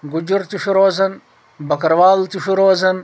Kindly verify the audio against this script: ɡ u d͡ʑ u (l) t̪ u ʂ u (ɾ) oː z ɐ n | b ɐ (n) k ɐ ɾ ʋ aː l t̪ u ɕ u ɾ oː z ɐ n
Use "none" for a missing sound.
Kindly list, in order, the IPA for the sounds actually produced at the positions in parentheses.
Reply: ɾ, ɾ, none

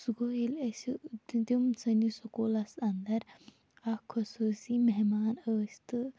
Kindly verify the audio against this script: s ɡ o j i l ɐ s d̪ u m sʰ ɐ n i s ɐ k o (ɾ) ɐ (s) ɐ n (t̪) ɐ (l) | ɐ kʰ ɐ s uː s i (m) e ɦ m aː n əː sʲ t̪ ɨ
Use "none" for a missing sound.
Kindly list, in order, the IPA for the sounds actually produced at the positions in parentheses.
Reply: l, s, d̪, ɾ, m

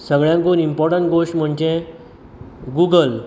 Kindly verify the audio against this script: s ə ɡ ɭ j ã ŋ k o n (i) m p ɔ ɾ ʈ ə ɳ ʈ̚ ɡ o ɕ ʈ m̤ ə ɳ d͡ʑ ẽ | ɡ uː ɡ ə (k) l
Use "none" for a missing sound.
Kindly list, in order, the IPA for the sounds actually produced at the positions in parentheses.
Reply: i, none

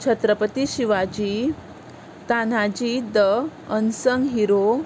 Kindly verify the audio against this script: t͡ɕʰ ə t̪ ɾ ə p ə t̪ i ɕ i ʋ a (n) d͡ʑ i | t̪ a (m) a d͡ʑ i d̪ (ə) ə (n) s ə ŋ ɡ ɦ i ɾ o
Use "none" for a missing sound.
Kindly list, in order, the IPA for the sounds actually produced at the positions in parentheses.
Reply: none, n, ə, n

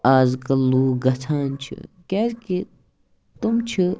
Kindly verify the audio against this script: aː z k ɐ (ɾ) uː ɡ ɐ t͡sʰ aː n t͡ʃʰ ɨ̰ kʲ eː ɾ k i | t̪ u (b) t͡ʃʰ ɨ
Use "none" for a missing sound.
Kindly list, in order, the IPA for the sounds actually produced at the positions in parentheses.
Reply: l, m

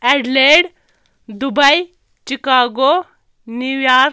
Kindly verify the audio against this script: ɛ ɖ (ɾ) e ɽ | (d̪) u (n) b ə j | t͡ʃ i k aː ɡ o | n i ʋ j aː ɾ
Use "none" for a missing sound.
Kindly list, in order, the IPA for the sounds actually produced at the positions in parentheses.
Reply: l, d̪, none

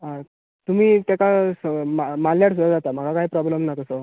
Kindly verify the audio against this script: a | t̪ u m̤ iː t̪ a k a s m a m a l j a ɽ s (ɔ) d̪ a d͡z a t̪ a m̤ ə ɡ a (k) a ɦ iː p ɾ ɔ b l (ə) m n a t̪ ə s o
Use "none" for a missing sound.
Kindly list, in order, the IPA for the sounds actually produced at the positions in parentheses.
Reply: u, k, ə

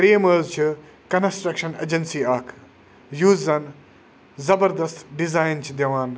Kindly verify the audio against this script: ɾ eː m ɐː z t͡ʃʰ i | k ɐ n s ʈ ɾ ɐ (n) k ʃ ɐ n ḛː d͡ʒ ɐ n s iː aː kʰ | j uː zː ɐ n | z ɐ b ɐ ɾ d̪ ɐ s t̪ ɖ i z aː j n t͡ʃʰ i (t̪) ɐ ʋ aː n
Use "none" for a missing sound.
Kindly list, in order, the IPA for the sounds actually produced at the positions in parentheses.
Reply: none, d̪

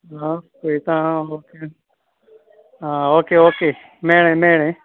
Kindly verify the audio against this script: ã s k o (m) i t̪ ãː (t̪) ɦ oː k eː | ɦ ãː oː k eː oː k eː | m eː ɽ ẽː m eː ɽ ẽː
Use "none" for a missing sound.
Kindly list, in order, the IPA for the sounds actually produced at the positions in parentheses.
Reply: none, none

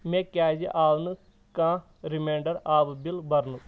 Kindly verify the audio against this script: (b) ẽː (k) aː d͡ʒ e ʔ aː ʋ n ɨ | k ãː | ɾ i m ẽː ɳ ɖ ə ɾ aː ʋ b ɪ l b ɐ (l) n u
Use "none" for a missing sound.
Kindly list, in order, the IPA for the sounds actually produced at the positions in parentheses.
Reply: m, k, ɾ

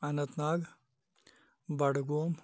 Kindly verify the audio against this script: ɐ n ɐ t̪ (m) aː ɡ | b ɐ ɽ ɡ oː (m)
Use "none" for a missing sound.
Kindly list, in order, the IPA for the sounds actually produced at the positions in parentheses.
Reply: n, m

